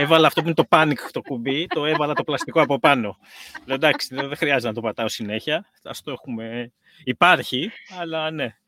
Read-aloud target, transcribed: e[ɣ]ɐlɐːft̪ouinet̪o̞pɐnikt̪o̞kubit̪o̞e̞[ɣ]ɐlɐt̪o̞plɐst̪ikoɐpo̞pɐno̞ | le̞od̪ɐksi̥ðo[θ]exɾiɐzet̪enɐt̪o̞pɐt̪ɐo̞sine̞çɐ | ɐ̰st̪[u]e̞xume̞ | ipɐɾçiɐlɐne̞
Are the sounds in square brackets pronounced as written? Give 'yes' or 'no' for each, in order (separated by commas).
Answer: no, no, no, no